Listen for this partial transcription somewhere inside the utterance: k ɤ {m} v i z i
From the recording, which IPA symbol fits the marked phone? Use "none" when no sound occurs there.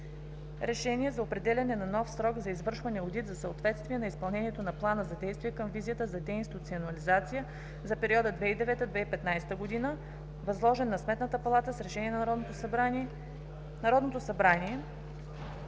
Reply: m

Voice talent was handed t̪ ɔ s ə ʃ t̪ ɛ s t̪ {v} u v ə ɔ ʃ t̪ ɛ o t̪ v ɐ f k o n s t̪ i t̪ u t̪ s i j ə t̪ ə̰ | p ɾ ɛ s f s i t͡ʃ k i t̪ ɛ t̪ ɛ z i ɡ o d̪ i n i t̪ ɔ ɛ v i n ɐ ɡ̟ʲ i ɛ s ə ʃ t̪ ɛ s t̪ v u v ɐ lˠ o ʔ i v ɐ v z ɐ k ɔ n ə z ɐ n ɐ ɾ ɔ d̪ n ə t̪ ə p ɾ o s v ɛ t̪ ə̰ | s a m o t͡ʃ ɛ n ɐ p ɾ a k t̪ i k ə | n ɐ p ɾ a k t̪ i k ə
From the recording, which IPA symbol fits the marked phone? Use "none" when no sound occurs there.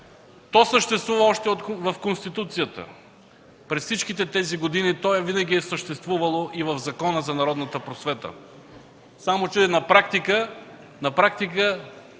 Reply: v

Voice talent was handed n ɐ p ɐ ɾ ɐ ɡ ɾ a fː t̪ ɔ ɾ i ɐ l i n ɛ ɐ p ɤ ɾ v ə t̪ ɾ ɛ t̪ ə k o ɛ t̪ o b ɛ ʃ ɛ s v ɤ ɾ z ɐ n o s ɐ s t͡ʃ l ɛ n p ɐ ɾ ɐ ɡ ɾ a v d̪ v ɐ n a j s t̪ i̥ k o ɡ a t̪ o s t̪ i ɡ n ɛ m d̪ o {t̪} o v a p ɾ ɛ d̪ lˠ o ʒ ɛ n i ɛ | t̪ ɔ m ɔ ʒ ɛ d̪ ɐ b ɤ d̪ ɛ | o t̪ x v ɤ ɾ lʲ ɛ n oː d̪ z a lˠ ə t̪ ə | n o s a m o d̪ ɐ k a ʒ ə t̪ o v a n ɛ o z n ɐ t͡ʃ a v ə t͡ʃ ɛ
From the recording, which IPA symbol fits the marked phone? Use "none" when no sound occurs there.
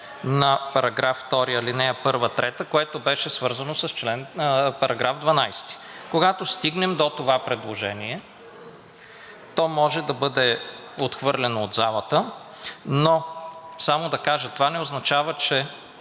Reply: t̪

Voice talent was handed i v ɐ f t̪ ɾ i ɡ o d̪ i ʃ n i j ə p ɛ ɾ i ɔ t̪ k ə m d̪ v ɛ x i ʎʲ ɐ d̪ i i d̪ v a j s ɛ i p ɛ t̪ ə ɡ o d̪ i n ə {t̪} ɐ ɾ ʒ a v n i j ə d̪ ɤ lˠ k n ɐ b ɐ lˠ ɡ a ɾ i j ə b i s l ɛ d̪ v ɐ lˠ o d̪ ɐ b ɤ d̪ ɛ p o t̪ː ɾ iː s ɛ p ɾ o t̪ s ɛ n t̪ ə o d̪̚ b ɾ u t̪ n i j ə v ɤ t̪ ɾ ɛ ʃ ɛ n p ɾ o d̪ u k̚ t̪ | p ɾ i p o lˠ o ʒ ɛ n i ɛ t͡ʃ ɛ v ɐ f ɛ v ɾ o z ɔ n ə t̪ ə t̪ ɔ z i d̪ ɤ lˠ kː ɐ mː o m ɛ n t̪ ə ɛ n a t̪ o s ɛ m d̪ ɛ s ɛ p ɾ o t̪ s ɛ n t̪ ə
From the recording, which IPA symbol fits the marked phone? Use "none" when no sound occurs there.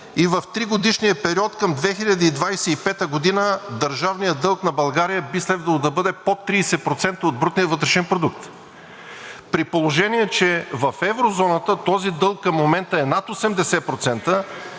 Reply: d̪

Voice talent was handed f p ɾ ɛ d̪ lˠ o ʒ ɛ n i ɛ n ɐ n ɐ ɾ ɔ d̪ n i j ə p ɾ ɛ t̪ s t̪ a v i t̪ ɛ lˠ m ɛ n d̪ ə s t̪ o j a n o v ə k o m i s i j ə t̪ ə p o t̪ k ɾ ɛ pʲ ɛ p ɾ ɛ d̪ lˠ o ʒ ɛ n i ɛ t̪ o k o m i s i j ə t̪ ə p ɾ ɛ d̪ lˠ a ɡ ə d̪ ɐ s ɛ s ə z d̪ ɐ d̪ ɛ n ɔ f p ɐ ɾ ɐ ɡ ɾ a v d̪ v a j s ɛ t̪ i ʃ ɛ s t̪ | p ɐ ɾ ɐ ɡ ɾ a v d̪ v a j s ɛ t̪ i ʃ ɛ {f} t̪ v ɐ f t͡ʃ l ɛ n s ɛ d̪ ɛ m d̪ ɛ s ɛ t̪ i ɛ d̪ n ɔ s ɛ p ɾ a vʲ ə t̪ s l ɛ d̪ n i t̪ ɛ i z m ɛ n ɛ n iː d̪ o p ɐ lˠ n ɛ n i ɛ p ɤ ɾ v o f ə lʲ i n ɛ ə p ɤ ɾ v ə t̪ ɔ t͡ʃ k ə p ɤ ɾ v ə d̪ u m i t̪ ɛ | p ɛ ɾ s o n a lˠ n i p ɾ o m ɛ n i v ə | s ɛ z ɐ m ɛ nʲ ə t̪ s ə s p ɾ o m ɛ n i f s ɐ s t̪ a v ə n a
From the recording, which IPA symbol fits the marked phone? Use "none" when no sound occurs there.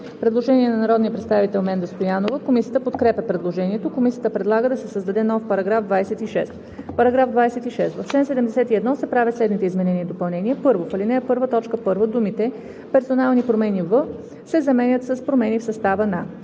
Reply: s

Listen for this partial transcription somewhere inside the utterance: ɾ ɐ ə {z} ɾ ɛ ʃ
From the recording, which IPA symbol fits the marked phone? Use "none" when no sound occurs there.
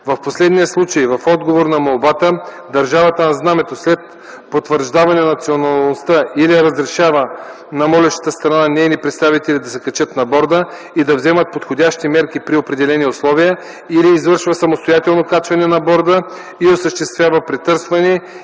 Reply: z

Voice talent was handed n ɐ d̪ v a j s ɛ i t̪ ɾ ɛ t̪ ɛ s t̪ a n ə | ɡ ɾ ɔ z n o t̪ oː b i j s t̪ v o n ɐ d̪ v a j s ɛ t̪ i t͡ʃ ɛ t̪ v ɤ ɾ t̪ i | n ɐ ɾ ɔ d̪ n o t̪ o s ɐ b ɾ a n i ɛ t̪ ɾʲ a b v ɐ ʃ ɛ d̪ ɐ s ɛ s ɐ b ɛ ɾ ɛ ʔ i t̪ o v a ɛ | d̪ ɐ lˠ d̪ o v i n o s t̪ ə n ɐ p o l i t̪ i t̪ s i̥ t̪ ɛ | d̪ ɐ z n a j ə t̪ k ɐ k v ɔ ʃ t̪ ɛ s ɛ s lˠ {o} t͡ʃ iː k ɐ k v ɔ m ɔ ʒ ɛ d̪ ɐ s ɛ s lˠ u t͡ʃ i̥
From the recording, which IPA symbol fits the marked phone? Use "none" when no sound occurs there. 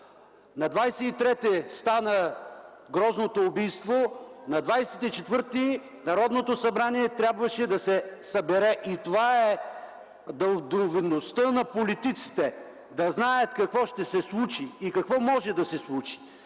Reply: u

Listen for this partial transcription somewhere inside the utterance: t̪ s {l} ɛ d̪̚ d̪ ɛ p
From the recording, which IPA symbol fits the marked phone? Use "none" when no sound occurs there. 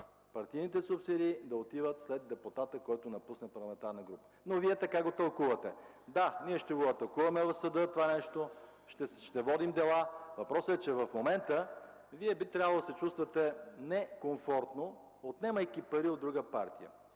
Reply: l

